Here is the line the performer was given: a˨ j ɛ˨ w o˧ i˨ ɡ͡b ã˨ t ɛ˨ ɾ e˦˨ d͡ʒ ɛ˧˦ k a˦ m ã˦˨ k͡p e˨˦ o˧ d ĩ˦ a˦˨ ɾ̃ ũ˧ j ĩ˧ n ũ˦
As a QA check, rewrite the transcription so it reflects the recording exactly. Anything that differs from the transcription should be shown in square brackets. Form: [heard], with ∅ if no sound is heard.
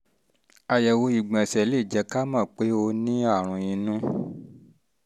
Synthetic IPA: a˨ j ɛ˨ w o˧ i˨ ɡ͡b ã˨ [s] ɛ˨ [l] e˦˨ d͡ʒ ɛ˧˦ k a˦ m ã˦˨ k͡p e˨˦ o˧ [n] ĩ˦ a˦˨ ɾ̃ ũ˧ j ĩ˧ n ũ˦